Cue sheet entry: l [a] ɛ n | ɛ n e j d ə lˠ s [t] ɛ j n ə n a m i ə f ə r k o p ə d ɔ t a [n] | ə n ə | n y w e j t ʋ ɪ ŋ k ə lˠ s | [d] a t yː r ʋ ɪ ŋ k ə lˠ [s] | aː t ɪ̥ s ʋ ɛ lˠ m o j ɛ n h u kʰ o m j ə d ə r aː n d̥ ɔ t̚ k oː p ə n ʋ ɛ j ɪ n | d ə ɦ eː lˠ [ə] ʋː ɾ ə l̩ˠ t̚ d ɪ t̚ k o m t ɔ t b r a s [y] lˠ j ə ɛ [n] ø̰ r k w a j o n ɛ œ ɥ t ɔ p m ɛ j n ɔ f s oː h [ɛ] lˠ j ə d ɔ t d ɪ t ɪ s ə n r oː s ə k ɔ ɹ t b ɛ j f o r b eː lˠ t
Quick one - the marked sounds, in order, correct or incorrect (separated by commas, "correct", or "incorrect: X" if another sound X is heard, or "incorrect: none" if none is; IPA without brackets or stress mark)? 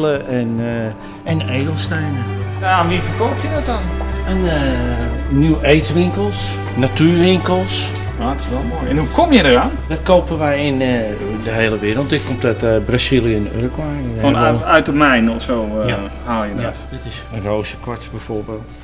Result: incorrect: ə, correct, correct, incorrect: n, correct, correct, incorrect: i, correct, incorrect: a